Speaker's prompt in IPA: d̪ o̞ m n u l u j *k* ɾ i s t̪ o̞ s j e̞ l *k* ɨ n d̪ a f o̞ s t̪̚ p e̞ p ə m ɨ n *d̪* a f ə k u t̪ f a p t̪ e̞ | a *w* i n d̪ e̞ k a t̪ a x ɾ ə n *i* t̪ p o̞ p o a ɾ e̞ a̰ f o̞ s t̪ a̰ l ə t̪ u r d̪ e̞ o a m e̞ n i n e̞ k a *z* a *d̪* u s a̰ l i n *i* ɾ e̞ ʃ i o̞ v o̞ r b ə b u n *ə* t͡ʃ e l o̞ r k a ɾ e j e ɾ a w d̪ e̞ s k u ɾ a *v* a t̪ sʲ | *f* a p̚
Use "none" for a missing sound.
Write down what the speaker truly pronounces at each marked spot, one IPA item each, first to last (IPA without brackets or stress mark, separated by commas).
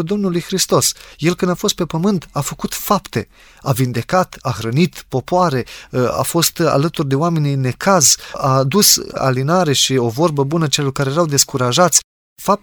x, k, t̪, v, i, z, d̪, a, ə, ʒ, f